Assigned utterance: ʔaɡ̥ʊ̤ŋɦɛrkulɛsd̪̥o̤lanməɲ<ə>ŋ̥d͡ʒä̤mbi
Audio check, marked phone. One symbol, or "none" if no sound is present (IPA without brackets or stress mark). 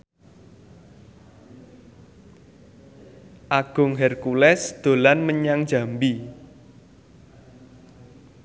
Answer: a